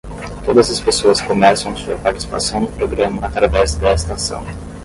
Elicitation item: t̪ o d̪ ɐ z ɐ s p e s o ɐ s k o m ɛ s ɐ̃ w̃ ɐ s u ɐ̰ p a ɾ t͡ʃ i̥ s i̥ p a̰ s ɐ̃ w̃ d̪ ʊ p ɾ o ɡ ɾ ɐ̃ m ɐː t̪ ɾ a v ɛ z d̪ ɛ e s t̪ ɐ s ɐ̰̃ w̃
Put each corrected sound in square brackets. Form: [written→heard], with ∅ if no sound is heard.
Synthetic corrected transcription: t̪ o d̪ ɐ z ɐ s p e s o ɐ s k o m ɛ s ɐ̃ w̃ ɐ s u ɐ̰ p a ɾ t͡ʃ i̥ s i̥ p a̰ s ɐ̃ w̃ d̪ ʊ p ɾ o ɡ ɾ ɐ̃ m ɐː t̪ ɾ a v ɛ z d̪ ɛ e s t̪ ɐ s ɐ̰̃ w̃